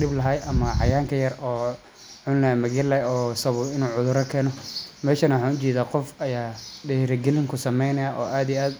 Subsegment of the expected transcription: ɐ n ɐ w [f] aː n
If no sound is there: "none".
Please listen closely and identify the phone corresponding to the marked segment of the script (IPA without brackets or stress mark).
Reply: ħ